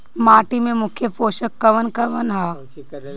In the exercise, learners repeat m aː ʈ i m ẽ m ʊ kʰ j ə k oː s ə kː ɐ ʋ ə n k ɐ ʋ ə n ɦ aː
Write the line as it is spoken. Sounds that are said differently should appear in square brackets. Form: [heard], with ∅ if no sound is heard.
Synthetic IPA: m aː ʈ i m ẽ m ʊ kʰ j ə [p] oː [ʃ] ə kː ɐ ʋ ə n k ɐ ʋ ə n ɦ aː